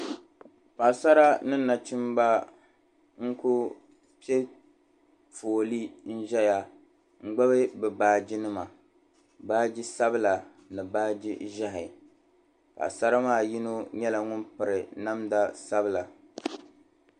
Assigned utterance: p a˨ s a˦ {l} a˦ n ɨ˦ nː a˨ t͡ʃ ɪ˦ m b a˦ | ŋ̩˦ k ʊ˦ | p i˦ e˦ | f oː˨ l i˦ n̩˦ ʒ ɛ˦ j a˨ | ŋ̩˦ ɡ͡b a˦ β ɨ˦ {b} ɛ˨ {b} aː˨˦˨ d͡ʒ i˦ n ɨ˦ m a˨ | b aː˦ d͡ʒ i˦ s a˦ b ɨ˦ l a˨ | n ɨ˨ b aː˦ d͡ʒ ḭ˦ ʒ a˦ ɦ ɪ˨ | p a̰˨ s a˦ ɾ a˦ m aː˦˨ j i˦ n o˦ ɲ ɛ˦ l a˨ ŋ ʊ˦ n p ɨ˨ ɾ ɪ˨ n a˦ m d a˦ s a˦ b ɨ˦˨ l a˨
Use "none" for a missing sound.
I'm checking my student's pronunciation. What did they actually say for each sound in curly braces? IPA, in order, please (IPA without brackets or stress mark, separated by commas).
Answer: ɾ, b, b